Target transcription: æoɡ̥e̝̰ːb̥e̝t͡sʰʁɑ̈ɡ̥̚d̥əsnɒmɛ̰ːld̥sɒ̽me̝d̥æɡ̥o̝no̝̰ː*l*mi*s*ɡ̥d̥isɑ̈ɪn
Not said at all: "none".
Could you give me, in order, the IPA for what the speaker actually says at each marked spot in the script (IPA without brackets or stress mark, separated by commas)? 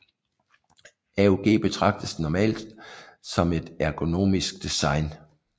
none, s